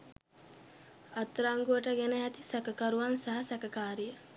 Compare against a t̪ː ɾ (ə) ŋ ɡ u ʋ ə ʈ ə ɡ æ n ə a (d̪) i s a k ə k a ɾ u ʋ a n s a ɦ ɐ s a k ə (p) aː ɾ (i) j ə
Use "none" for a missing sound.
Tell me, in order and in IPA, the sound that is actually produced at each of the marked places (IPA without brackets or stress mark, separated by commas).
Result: a, t̪, k, i